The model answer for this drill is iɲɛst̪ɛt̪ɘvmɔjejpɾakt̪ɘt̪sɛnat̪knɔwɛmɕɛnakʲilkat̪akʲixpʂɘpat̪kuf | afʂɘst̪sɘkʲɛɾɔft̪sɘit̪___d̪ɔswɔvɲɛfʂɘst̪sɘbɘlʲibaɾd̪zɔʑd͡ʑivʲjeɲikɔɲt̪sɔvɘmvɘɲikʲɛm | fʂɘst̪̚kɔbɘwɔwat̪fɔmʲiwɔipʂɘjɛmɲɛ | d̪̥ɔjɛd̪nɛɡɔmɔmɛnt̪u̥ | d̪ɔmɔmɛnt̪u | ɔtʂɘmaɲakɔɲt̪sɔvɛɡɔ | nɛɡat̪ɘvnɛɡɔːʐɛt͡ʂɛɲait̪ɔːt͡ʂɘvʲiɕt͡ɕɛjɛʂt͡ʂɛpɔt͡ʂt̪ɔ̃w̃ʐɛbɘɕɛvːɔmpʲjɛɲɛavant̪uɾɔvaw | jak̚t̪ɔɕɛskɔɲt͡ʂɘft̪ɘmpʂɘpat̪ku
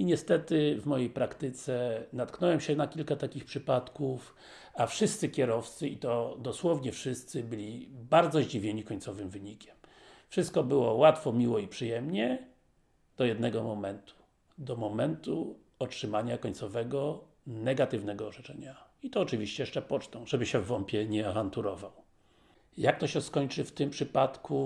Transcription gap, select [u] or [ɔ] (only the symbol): ɔ